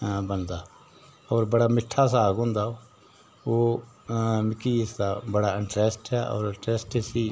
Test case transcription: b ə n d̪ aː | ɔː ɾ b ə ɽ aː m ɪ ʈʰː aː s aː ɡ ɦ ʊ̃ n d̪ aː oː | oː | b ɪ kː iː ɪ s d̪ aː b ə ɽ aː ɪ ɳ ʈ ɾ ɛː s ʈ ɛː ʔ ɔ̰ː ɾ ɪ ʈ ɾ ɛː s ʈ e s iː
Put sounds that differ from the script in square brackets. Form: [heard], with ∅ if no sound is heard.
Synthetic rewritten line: b ə n d̪ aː | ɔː ɾ b ə ɽ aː m ɪ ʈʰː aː s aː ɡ ɦ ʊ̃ n d̪ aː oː | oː | [m] ɪ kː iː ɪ s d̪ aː b ə ɽ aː ɪ ɳ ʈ ɾ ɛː s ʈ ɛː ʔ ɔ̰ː ɾ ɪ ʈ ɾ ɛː s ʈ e s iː